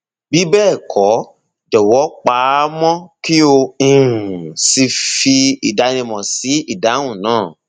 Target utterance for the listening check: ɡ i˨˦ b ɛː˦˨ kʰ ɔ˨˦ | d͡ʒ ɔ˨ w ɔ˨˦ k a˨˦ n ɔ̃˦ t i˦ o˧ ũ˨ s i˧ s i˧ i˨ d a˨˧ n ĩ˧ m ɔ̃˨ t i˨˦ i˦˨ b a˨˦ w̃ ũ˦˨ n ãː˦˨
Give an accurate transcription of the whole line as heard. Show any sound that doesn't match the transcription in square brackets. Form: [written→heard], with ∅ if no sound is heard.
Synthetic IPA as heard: [ɡ→b] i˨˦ b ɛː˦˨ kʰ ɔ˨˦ | d͡ʒ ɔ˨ w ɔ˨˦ [k→k͡p] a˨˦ [n→m] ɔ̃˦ [t→k] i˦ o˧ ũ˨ s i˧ [s→f] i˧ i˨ d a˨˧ n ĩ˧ m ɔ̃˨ [t→s] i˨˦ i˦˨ [b→d] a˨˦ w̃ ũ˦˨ n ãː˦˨